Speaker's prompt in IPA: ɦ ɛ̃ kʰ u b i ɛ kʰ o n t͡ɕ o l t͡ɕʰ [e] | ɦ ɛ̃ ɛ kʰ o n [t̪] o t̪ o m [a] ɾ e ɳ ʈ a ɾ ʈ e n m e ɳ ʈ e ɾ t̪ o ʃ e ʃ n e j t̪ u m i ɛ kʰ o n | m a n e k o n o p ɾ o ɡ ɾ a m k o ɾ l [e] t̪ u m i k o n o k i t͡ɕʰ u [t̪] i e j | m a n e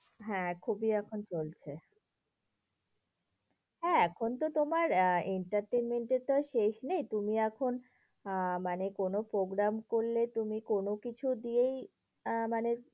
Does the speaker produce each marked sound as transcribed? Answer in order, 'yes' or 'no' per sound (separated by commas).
yes, yes, yes, yes, no